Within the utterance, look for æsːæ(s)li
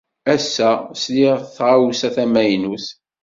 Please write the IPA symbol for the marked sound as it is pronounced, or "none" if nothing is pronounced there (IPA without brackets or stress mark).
s